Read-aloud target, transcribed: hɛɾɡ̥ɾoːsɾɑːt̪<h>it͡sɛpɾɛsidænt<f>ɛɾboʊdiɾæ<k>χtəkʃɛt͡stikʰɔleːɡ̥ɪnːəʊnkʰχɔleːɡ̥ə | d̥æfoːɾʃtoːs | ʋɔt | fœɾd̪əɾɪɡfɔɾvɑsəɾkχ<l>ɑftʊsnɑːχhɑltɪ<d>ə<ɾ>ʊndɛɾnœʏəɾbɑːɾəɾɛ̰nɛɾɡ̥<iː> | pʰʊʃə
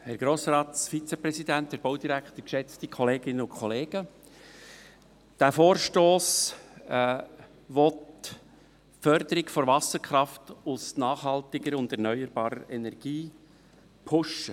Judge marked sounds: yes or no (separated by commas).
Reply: no, no, yes, no, no, yes, yes